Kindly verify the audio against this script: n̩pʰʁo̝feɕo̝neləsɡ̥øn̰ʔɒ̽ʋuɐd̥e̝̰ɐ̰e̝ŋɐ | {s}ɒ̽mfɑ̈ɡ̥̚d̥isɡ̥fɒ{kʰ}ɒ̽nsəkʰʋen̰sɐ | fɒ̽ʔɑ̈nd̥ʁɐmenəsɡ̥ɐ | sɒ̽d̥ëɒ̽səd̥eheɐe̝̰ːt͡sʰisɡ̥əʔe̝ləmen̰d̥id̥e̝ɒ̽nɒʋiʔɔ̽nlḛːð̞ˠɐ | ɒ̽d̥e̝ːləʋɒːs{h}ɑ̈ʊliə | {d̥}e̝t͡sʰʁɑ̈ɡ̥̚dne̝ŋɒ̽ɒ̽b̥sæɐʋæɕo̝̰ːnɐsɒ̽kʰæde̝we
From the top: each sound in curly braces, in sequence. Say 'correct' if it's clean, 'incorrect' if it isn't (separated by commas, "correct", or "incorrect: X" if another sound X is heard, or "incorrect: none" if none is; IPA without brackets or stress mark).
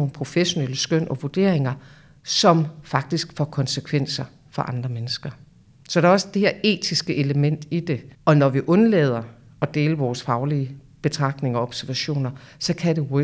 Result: correct, correct, incorrect: f, incorrect: b̥